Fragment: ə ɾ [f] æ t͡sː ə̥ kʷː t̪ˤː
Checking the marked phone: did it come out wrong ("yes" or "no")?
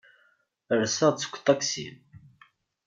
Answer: yes